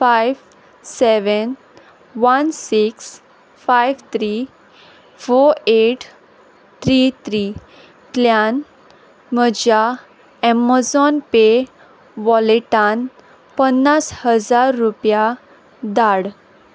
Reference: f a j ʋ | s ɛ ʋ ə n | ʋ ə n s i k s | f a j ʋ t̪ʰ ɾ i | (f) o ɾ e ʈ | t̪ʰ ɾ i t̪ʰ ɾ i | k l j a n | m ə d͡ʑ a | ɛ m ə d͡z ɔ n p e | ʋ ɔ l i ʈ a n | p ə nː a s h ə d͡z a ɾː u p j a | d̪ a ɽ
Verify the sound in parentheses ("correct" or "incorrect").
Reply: correct